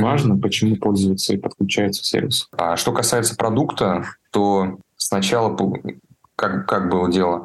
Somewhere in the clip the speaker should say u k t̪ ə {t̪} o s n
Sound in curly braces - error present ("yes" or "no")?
no